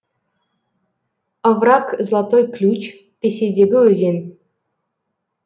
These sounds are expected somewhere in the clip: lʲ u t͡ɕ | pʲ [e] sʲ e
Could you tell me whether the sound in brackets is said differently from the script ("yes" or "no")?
no